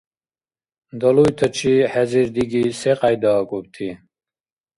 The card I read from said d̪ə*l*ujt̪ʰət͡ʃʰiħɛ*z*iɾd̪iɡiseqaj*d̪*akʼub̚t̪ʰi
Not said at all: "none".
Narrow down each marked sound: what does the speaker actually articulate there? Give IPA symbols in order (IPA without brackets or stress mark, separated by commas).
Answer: l, z, d̪